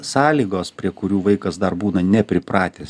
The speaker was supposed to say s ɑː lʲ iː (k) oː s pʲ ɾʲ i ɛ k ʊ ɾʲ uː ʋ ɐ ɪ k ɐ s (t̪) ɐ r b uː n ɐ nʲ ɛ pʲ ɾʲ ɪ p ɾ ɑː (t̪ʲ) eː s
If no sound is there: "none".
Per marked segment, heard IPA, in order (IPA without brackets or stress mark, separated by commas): ɡ, d̪, t̪ʲ